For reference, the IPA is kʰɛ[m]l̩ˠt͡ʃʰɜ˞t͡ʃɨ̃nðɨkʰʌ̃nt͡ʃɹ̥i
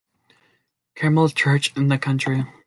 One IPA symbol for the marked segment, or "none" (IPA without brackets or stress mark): m